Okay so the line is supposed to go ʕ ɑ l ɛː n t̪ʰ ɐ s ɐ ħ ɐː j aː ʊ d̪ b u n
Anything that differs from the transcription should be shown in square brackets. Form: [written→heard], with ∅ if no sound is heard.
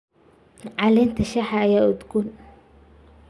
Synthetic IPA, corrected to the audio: ʕ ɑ l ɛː n t̪ʰ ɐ [s→ʃ] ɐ ħ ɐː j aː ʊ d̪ [b→ɡ] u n